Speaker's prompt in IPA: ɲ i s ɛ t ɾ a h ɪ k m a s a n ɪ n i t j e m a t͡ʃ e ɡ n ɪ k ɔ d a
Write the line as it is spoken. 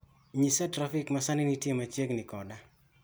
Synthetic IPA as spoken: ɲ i s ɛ t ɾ a f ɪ k m a s a n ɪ n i t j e m a t͡ʃ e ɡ n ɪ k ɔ d a